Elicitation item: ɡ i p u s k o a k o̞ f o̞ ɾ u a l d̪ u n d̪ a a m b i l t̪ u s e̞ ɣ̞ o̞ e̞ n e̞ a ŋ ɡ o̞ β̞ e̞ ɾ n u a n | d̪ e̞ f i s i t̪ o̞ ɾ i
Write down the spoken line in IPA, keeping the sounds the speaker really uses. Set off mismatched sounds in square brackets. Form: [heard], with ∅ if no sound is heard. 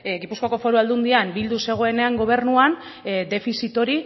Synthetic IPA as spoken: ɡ i p u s k o a k o̞ f o̞ ɾ u a l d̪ u n d̪ [i] a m b i l [d̪] u s e̞ ɣ̞ o̞ e̞ n e̞ a ŋ ɡ o̞ β̞ e̞ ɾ n u a n | d̪ e̞ f i s i t̪ o̞ ɾ i

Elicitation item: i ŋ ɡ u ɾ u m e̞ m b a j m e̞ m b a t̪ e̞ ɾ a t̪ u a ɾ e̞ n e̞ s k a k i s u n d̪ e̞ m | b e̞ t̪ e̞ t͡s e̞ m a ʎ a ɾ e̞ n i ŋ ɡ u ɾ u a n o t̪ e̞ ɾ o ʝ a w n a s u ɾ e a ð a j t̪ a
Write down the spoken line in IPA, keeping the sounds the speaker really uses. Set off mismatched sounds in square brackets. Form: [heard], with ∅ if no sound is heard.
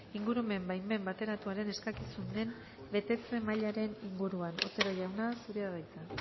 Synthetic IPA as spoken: i ŋ ɡ u ɾ u m e̞ m b a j m e̞ m b a t̪ e̞ ɾ a t̪ u a ɾ e̞ n e̞ s k a k i s u n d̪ e̞ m | b e̞ t̪ e̞ t͡s e̞ m a ʎ a ɾ e̞ n i ŋ ɡ u ɾ u a n o t̪ e̞ ɾ o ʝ a w n a s u ɾ e a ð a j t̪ a

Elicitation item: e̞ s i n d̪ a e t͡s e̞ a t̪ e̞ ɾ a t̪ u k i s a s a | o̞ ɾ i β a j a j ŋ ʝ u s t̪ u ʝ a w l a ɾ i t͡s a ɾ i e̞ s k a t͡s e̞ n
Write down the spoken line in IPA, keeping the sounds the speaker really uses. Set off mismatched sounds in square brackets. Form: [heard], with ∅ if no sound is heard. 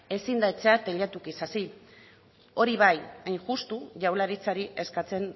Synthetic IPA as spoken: e̞ s i n d̪ a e t͡s e̞ a t̪ e̞ [ʎ] a t̪ u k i s a s [i] | o̞ ɾ i β a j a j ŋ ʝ u s t̪ u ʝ a w l a ɾ i t͡s a ɾ i e̞ s k a t͡s e̞ n

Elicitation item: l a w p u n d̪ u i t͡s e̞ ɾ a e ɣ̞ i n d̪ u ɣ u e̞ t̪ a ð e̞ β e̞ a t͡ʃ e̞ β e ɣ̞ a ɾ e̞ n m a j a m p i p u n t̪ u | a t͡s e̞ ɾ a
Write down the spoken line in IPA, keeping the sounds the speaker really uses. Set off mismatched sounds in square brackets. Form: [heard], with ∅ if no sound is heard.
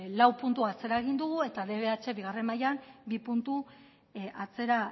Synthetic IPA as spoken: l a w p u n [t̪] u [a] t͡s e̞ ɾ a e ɣ̞ i n d̪ u ɣ u e̞ t̪ a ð e̞ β e̞ a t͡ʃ e̞ β [i] ɣ̞ a [r] e̞ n m a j a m [b] i p u n t̪ u | a t͡s e̞ ɾ a

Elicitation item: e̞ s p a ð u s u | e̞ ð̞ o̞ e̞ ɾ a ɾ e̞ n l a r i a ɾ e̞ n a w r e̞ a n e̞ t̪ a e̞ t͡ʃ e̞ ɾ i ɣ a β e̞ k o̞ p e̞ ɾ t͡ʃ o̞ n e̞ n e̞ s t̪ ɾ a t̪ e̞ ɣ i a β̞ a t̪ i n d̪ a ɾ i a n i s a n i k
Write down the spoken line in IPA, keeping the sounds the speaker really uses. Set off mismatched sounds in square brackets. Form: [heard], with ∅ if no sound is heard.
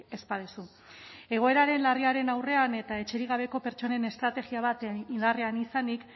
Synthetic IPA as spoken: e̞ s p a ð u s u | e̞ [ɣ̞] o̞ e̞ ɾ a ɾ e̞ n l a r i a ɾ e̞ n a w r e̞ a n e̞ t̪ a e̞ t͡ʃ e̞ ɾ i ɣ a β e̞ k o̞ p e̞ ɾ t͡ʃ o̞ n e̞ n e̞ s t̪ ɾ a t̪ e̞ ɣ i a β̞ a t̪ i n d̪ a [r] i a n i s a n i k

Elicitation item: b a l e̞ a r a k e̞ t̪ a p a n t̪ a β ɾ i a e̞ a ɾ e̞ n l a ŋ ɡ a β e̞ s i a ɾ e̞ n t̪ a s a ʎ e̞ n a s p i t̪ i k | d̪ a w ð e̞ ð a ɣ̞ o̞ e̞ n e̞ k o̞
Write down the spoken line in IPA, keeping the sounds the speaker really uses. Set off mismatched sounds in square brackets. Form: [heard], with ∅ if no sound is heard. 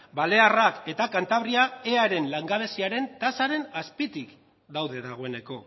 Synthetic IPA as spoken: b a l e̞ a r a k e̞ t̪ a [k] a n t̪ a β ɾ i a e̞ a ɾ e̞ n l a ŋ ɡ a β e̞ s i a ɾ e̞ n t̪ a s a [ɾ] e̞ n a s p i t̪ i k | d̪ a w ð e̞ ð a ɣ̞ o̞ e̞ n e̞ k o̞

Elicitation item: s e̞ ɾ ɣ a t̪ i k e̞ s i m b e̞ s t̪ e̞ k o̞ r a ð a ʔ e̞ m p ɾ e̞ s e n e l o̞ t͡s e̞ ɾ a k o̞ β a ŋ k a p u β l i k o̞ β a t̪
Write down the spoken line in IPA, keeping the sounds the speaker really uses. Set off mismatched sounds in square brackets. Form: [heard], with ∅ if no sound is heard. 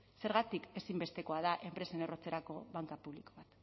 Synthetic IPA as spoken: s e̞ ɾ ɣ a t̪ i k e̞ s i m b e̞ s t̪ e̞ k o̞ [∅] a ð a ʔ e̞ m p ɾ e̞ s e n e [r] o̞ t͡s e̞ ɾ a k o̞ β a ŋ k a p u β l i k o̞ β a t̪

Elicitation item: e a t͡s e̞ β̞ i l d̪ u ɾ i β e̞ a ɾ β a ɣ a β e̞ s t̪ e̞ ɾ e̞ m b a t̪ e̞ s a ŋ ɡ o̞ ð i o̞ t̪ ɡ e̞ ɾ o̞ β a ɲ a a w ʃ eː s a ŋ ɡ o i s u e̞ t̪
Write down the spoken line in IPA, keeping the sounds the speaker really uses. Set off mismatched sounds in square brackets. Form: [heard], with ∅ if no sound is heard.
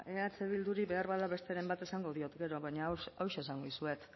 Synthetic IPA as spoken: e a t͡s e̞ β̞ i l d̪ u ɾ i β e̞ a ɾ β a [ð] a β e̞ s t̪ e̞ ɾ e̞ m b a t̪ e̞ s a ŋ ɡ o̞ ð i o̞ t̪ ɡ e̞ ɾ o̞ β a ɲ a a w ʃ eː s a ŋ ɡ o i s u e̞ t̪

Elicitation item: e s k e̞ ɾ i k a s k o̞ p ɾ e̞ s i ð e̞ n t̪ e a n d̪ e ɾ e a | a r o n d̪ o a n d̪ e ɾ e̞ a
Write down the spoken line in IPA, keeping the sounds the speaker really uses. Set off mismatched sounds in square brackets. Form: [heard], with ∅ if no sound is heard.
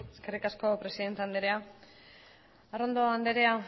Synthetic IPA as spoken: e s k e̞ [r] i k a s k o̞ p ɾ e̞ s i ð e̞ n t̪ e a n d̪ e ɾ e a | a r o n d̪ o a n d̪ e ɾ e̞ a

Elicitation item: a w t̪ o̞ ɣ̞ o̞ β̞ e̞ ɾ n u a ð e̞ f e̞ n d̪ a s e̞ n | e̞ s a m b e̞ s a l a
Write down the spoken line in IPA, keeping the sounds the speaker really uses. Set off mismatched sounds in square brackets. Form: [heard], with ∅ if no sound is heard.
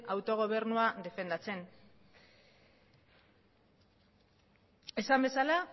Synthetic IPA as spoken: a w t̪ o̞ ɣ̞ o̞ β̞ e̞ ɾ n u a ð e̞ f e̞ n d̪ a [t͡s] e̞ n | e̞ s a m b e̞ s a l a

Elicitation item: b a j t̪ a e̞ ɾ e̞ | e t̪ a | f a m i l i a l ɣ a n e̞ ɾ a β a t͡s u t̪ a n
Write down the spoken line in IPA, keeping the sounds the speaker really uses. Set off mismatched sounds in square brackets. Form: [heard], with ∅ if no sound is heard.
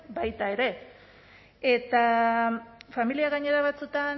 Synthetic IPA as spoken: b a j t̪ a e̞ ɾ e̞ | e t̪ a | f a m i l i a [∅] ɣ a [ɲ] e̞ ɾ a β a t͡s u t̪ a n

